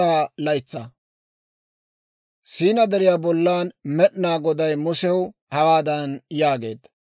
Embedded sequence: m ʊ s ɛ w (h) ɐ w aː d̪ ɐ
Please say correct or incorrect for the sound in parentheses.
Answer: correct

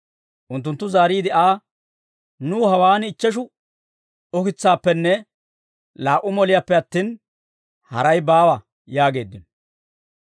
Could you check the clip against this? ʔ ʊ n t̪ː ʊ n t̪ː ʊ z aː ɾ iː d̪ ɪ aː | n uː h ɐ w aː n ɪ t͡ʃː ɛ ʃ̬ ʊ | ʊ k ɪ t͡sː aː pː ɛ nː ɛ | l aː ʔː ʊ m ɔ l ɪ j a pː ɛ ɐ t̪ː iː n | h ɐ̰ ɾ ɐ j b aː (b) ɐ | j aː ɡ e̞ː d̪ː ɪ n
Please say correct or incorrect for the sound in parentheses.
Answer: incorrect: w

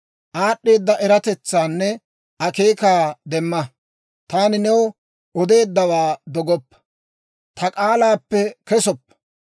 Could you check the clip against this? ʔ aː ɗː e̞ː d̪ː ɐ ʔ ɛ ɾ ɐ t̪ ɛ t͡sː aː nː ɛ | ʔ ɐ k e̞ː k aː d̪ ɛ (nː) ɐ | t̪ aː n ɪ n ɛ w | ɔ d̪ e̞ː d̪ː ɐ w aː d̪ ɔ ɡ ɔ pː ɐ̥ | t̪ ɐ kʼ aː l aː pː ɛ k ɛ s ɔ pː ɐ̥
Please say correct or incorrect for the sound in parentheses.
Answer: incorrect: mː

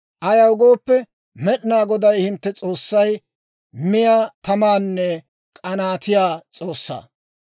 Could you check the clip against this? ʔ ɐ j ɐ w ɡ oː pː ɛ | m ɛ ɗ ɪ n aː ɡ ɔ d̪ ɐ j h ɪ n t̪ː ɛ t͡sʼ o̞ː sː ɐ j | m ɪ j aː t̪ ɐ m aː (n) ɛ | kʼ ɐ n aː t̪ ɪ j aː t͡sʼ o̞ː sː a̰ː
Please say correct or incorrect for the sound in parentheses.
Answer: incorrect: nː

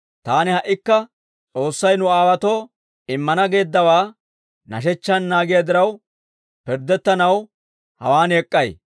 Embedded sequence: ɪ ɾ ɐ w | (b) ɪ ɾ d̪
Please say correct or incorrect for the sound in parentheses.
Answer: incorrect: p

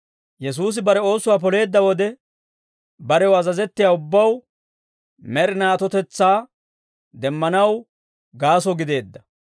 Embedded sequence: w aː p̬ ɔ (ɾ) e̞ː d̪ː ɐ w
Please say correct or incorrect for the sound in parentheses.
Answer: incorrect: l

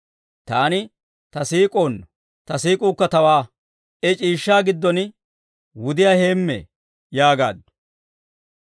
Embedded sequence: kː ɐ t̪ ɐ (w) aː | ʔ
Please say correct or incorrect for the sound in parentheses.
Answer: correct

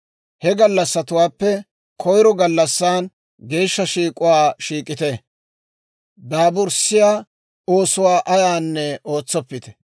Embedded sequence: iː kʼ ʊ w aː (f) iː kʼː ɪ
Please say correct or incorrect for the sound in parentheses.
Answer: incorrect: ʃ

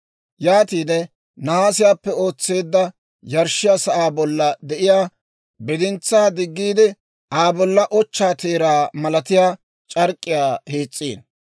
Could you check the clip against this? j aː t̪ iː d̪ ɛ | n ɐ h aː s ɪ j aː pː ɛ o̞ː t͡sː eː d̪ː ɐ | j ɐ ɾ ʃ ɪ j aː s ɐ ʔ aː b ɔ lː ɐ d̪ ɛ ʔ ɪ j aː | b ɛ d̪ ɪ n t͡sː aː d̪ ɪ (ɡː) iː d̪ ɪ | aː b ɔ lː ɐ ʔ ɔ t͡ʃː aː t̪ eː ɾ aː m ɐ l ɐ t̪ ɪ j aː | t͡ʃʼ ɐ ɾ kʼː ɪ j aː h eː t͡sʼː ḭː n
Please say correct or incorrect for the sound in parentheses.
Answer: correct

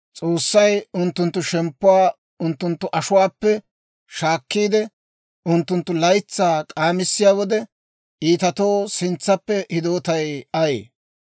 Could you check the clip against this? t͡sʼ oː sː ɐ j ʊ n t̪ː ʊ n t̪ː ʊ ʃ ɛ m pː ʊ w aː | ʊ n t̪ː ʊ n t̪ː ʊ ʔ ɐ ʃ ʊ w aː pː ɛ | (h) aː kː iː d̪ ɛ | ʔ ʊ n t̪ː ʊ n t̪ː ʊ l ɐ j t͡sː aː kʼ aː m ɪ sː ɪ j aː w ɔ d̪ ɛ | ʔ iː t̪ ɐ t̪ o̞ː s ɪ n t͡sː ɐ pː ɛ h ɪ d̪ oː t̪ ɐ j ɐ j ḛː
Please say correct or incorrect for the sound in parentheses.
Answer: incorrect: ʃ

